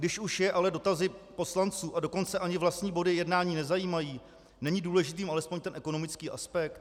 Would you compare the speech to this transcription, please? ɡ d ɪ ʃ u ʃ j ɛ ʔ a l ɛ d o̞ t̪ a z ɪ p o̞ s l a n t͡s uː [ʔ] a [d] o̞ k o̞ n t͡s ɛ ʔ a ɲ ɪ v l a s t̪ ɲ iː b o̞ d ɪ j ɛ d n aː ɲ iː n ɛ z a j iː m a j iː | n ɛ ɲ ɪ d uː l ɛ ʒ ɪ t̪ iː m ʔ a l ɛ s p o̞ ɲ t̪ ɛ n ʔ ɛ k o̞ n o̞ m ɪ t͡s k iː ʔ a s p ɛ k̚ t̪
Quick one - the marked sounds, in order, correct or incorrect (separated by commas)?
correct, correct